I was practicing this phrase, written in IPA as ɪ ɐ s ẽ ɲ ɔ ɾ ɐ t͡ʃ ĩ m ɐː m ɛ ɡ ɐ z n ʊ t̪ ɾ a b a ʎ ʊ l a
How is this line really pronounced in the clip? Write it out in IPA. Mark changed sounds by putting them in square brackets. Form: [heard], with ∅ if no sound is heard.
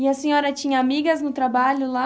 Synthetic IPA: ɪ ɐ s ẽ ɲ ɔ ɾ ɐ t͡ʃ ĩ [ɲ] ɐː m [i] ɡ ɐ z n ʊ t̪ ɾ a b a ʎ ʊ l a